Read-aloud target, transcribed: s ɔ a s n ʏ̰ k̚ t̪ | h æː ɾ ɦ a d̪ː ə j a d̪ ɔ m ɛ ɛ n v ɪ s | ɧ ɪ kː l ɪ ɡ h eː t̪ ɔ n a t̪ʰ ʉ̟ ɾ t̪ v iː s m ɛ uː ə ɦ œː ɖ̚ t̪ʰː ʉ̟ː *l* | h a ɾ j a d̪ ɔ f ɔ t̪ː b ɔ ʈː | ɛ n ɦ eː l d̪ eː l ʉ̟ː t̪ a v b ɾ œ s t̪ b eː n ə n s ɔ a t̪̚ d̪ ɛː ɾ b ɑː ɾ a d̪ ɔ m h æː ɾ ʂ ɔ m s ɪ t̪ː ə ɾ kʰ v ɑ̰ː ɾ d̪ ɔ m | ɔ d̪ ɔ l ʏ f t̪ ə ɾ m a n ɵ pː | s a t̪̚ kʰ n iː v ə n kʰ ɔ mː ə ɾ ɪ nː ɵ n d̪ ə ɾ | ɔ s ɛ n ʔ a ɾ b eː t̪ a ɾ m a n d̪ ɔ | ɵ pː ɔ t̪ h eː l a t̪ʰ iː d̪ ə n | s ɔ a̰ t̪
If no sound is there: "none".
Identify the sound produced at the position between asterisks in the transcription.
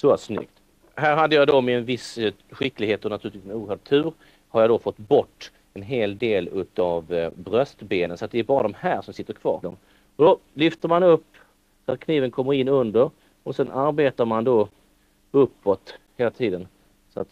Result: ɾ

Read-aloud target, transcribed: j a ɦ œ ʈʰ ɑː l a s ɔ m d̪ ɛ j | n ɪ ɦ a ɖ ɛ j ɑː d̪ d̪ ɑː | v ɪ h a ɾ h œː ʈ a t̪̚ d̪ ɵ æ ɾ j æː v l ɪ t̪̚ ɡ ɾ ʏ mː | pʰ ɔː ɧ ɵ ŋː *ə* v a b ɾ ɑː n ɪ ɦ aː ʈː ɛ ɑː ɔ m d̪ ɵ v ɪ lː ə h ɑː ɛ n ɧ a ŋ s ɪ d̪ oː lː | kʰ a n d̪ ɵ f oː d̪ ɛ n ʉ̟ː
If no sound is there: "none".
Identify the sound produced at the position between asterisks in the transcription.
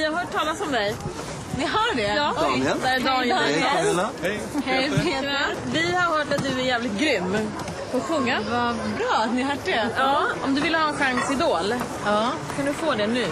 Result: a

